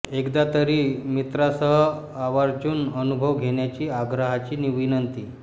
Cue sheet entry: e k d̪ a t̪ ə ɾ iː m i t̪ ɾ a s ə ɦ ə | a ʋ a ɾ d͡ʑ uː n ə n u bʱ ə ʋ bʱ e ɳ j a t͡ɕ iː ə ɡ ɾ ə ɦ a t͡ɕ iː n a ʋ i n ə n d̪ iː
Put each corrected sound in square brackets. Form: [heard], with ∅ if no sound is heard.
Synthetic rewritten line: e k d̪ a t̪ ə ɾ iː m i t̪ ɾ a s ə ɦ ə | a ʋ a ɾ d͡ʑ uː n ə n u bʱ ə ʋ [ɡʱ] e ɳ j a t͡ɕ iː [a] ɡ ɾ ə ɦ a t͡ɕ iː n [i] ʋ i n ə n [t̪] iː